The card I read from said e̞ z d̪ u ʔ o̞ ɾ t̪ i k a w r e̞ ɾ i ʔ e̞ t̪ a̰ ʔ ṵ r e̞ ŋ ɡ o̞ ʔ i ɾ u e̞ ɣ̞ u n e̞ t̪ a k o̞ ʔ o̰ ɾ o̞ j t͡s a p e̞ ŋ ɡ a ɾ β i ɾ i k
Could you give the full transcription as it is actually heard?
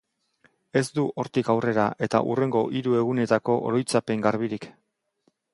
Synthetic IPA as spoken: e̞ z d̪ u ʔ o̞ ɾ t̪ i k a w r e̞ ɾ a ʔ e̞ t̪ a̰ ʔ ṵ r e̞ ŋ ɡ o̞ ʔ i ɾ u e̞ ɣ̞ u n e̞ t̪ a k o̞ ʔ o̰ ɾ o̞ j t͡s a p e̞ ŋ ɡ a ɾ β i ɾ i k